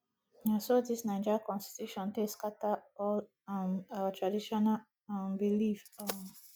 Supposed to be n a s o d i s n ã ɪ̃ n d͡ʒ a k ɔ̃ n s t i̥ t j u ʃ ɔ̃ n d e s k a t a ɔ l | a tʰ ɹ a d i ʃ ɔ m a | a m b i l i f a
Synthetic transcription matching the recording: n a s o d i s n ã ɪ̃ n d͡ʒ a k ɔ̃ n s t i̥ t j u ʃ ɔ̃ n t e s k a t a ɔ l | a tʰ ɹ a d i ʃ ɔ n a | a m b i l i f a